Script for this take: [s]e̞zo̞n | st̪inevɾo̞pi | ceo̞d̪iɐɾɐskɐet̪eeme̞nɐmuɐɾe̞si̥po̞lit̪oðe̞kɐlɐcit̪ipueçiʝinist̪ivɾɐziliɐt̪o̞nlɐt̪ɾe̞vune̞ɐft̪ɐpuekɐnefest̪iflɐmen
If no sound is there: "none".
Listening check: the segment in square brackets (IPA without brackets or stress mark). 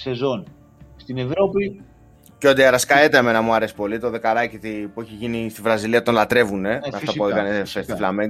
s